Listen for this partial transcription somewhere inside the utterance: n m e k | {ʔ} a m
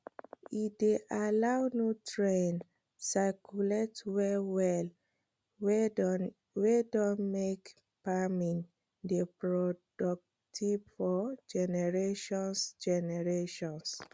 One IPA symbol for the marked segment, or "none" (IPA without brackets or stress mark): p